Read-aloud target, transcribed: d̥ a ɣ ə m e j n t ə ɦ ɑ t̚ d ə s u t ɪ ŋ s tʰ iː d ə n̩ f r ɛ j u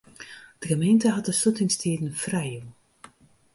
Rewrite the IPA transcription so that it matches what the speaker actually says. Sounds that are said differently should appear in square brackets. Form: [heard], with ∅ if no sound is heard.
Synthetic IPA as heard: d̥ [ə] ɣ ə m e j n t ə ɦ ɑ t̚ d ə s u t ɪ ŋ s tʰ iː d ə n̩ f r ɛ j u